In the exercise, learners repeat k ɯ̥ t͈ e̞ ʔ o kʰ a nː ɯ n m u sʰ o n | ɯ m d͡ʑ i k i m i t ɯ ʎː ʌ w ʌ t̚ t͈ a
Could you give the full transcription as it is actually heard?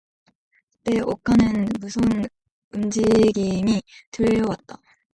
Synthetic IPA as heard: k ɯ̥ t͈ e̞ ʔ o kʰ a n ɯ n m u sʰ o n | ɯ m d͡ʑ i ɡ i m i t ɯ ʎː ʌ w a t̚ t͈ a